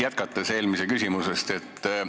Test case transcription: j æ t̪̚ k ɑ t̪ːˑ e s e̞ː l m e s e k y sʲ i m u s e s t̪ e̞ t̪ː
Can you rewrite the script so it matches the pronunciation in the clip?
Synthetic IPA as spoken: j æ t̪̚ k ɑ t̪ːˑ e s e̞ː l m i s e k y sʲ i m u s e s t̪ e̞ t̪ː